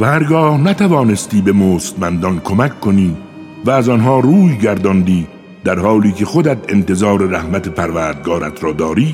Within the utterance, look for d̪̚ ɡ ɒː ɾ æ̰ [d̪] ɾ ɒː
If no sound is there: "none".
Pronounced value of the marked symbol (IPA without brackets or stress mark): t̪